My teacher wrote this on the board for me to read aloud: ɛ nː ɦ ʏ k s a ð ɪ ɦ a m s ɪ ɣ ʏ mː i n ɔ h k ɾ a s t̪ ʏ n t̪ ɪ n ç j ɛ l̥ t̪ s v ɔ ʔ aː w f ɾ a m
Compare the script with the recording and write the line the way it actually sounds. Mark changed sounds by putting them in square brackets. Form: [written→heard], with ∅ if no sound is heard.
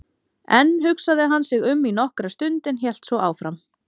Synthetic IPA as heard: ɛ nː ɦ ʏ k s a ð ɪ ɦ a [m→n] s ɪ ɣ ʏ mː i n ɔ h k ɾ a s t̪ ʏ n t̪ ɪ n ç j ɛ l̥ t̪ s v ɔ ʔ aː w f ɾ a m

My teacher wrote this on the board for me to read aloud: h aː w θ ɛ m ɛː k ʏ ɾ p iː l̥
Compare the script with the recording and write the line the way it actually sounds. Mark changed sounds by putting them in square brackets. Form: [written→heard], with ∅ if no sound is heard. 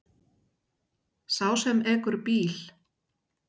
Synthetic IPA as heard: [h→s] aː w [θ→s] ɛ m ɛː k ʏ ɾ p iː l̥

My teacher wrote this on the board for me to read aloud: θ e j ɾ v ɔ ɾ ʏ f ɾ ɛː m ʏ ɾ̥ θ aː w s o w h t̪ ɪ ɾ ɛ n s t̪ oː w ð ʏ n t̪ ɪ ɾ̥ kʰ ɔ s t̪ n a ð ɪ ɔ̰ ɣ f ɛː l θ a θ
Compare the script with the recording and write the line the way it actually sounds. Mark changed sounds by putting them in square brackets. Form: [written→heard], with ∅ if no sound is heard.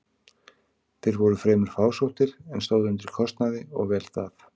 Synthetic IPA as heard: θ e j ɾ v ɔ ɾ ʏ f ɾ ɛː m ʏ ɾ̥ [θ→f] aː w s o w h t̪ ɪ ɾ ɛ n s t̪ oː w ð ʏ n t̪ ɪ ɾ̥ kʰ ɔ s t̪ n a ð ɪ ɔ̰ ɣ [f→v] ɛː l θ a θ

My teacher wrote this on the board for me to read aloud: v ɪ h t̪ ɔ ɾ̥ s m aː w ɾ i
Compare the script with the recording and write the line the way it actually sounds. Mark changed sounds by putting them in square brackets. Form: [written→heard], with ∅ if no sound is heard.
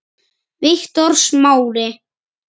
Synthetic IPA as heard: v ɪ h t̪ ɔ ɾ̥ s m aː w ɾ [i→ɪ]

